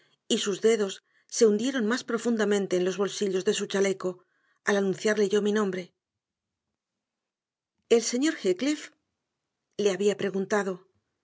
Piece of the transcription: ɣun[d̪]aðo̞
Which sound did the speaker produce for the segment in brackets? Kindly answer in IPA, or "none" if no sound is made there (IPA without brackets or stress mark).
t̪